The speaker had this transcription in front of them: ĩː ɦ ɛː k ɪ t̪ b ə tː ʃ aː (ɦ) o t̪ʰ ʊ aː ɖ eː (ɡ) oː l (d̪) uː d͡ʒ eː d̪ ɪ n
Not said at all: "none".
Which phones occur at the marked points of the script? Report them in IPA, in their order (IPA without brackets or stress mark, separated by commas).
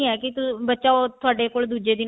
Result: none, k, d̪